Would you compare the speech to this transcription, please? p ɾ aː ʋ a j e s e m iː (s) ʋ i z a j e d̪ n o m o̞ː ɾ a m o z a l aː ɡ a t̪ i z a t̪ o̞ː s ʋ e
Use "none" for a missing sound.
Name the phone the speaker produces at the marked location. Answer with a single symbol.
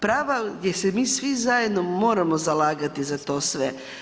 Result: s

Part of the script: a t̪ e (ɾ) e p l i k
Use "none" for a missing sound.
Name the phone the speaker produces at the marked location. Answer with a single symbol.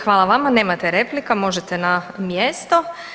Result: ɾ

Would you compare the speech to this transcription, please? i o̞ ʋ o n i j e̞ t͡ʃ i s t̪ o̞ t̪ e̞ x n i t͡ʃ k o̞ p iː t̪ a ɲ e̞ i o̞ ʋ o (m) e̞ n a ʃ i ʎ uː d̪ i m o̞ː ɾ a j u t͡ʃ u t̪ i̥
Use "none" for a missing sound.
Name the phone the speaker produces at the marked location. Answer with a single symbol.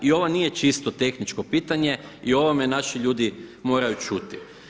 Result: m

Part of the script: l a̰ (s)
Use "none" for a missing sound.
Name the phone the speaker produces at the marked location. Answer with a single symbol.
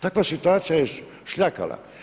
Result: none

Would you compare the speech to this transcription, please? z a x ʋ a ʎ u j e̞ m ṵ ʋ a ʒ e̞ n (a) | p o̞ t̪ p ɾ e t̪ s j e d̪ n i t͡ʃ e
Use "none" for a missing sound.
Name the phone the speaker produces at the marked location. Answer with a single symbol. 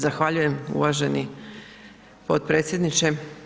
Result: i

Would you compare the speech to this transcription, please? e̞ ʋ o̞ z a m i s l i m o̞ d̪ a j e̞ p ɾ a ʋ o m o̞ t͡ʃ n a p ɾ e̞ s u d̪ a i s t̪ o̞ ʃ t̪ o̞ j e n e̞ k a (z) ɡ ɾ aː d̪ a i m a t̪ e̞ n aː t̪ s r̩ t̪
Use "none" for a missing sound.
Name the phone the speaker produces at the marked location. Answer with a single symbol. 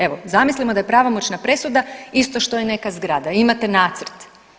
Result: z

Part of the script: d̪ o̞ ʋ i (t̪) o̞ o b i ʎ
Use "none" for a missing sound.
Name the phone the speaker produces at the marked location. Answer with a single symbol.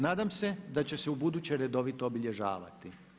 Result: t̪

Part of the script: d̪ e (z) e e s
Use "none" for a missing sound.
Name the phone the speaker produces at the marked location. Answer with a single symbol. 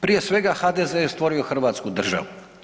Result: z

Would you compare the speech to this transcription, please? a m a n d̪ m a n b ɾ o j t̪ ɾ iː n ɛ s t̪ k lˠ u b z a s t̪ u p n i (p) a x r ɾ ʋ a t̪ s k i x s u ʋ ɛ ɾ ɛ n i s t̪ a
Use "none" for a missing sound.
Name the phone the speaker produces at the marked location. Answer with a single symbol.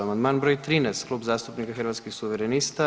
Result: k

